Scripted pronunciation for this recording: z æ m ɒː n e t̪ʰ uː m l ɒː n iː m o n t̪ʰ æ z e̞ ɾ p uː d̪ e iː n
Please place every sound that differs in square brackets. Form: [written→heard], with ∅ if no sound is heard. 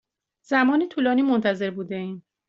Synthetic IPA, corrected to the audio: z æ m ɒː n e t̪ʰ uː [m→∅] l ɒː n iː m o n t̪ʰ æ z e̞ ɾ [p→b] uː d̪ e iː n